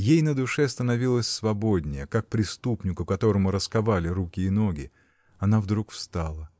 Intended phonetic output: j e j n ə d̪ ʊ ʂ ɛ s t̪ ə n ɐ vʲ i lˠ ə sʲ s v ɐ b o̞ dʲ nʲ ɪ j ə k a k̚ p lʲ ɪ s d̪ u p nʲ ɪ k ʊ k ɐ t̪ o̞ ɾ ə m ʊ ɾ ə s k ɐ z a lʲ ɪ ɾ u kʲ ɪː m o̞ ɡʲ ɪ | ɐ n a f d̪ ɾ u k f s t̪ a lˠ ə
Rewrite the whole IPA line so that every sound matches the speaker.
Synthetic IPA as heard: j e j n ə d̪ ʊ ʂ ɛ s t̪ ə n ɐ vʲ i lˠ ə sʲ s v ɐ b o̞ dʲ nʲ ɪ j ə k a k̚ p ɾʲ ɪ s t̪ u p nʲ ɪ k ʊ k ɐ t̪ o̞ ɾ ə m ʊ ɾ ə s k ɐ v a lʲ ɪ ɾ u kʲ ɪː n o̞ ɡʲ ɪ | ɐ n a v d̪ ɾ u k f s t̪ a lˠ ə